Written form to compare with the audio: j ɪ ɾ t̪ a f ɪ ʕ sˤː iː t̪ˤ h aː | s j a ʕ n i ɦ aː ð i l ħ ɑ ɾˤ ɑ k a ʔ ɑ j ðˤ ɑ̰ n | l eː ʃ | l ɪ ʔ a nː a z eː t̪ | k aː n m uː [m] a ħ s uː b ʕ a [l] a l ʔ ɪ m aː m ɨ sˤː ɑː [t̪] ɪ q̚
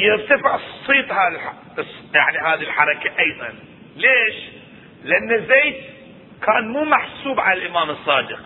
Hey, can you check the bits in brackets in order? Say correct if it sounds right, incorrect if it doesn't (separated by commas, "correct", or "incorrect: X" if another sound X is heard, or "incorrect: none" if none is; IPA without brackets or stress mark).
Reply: correct, correct, incorrect: d̪